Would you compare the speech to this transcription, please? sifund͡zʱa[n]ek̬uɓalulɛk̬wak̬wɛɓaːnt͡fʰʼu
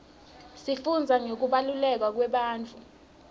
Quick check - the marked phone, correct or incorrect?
incorrect